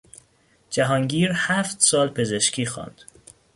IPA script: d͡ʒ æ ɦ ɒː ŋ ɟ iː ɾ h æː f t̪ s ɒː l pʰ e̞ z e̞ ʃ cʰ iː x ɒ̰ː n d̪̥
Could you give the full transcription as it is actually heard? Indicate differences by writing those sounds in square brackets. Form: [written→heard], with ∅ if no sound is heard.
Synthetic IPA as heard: d͡ʒ æ ɦ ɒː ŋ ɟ iː ɾ h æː f t̪ s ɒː l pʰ e̞ z e̞ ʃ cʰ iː x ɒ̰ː n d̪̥